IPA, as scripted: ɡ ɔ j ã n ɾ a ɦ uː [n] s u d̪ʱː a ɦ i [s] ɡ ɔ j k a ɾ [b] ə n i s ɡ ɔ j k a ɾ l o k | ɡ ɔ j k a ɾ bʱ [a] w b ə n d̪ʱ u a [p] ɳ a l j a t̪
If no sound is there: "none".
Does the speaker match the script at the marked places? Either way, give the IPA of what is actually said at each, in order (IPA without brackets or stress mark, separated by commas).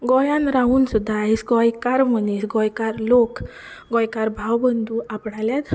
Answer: n, s, m, a, p